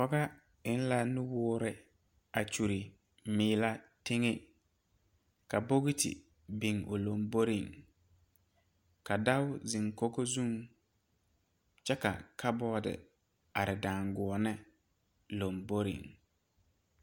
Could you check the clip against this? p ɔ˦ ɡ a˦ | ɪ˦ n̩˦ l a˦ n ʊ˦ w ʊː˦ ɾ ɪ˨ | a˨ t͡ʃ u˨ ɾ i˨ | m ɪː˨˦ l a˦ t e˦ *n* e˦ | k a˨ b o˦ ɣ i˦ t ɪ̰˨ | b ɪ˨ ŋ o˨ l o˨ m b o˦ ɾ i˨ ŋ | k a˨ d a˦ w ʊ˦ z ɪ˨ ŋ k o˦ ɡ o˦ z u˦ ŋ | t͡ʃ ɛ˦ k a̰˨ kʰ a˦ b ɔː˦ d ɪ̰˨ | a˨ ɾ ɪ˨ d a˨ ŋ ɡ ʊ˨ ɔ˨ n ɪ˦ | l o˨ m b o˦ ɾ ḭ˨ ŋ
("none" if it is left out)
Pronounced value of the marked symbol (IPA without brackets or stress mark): ŋ